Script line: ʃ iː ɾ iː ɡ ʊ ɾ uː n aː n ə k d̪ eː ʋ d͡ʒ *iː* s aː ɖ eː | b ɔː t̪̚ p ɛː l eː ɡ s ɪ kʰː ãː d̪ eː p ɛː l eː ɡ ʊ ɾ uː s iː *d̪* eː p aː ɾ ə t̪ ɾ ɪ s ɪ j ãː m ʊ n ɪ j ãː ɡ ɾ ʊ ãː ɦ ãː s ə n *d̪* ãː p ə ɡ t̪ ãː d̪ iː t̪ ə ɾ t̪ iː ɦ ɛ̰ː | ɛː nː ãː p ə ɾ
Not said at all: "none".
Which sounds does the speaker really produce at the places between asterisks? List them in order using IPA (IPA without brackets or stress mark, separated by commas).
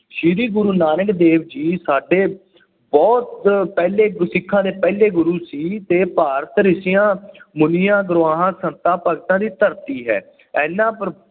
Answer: iː, t̪, t̪